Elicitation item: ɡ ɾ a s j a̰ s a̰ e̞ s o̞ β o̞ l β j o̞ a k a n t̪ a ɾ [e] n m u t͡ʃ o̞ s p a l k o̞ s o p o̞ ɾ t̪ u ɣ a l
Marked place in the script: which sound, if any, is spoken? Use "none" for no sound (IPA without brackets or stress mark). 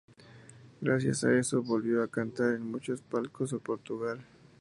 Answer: e